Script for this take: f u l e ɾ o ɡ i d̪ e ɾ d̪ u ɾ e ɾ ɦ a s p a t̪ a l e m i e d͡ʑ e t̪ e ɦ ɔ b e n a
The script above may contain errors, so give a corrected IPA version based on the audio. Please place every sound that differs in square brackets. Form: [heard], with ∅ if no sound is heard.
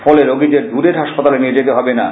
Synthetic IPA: f [ɔ] l e ɾ o ɡ i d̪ e ɾ d̪ u ɾ e ɾ ɦ a [ʃ] p a t̪ a l e [n] i e d͡ʑ e t̪ e ɦ ɔ b e n a